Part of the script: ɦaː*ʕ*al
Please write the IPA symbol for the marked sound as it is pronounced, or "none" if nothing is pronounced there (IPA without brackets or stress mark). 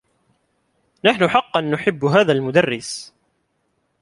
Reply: ð